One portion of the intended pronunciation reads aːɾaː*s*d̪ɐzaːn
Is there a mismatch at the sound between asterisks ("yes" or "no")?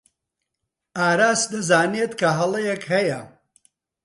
no